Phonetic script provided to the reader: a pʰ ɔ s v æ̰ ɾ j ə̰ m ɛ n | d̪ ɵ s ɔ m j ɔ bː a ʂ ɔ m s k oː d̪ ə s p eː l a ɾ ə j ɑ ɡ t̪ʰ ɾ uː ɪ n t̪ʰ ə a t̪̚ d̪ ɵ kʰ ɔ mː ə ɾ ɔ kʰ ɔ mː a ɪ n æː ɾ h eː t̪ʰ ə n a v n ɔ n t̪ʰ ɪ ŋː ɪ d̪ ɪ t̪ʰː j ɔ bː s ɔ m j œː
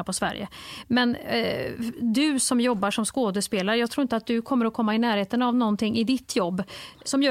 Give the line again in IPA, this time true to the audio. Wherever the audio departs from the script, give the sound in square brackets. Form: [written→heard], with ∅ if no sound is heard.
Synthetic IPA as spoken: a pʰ ɔ s v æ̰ ɾ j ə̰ m ɛ n | d̪ ɵ s ɔ m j ɔ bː a ʂ ɔ m s k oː d̪ ə s p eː l a ɾ ə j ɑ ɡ t̪ʰ ɾ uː ɪ n [t̪ʰ→t̪] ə a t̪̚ d̪ ɵ kʰ ɔ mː ə ɾ ɔ kʰ ɔ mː a ɪ n æː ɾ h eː [t̪ʰ→t̪] ə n a v n ɔ n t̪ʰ ɪ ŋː ɪ d̪ ɪ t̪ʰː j ɔ bː s ɔ m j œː